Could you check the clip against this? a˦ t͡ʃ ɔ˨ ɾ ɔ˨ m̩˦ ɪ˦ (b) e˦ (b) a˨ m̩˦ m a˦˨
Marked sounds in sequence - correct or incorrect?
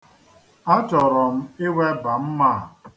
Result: incorrect: w, correct

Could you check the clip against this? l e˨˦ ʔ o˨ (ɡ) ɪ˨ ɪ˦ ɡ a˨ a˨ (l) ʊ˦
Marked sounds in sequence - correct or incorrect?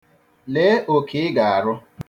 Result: incorrect: k, incorrect: ɾ

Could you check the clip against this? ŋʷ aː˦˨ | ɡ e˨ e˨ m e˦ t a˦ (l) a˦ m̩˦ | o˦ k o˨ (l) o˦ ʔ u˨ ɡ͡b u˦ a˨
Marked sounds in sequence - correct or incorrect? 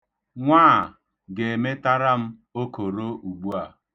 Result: incorrect: ɾ, incorrect: ɾ

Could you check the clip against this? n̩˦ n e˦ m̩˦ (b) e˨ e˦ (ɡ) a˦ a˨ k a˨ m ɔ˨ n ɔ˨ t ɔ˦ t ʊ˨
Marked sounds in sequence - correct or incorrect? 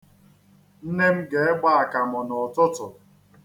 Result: incorrect: ɡ, incorrect: ɡ͡b

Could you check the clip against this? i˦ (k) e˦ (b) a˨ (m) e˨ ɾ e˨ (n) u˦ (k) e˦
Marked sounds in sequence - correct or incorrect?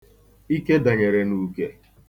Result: correct, incorrect: d, incorrect: ɲ, correct, correct

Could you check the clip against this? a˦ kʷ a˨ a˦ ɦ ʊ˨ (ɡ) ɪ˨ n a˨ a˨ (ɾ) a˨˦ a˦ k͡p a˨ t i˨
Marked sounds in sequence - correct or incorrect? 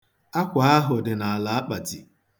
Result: incorrect: d, incorrect: l

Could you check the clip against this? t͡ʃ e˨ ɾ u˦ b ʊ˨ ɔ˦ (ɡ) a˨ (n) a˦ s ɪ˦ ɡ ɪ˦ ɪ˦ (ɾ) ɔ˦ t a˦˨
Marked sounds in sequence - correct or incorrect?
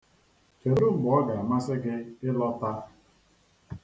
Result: correct, incorrect: m, incorrect: l

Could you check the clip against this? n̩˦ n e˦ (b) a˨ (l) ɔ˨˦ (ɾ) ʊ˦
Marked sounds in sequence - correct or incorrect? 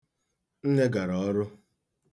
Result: incorrect: ɡ, incorrect: ɾ, correct

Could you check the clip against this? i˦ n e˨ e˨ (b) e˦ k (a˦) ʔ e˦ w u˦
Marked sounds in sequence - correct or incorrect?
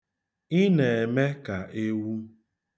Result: incorrect: m, incorrect: a˨

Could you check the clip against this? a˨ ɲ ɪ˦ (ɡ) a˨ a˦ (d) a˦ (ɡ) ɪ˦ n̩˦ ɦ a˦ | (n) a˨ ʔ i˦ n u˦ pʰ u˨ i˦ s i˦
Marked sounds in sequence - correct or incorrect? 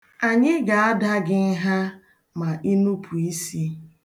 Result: correct, correct, correct, incorrect: m

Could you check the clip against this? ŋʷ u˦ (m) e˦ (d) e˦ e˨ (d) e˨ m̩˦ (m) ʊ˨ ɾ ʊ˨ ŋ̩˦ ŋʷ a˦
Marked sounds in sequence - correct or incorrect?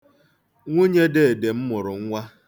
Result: incorrect: ɲ, correct, correct, correct

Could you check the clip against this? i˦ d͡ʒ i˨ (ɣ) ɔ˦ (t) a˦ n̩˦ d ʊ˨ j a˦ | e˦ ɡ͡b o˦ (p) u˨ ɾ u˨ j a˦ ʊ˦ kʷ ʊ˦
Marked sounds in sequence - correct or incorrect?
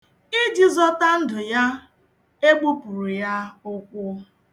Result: incorrect: z, correct, correct

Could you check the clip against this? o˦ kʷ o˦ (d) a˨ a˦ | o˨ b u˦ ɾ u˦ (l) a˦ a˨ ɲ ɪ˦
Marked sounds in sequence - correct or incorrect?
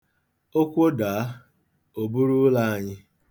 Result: correct, correct

